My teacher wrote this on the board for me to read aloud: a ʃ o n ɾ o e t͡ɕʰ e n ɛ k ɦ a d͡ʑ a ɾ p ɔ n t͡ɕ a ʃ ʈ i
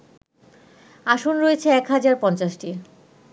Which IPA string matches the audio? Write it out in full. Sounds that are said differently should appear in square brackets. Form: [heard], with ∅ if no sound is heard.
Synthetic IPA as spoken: a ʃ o n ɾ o e t͡ɕʰ e [∅] ɛ k ɦ a d͡ʑ a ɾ p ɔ n t͡ɕ a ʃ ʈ i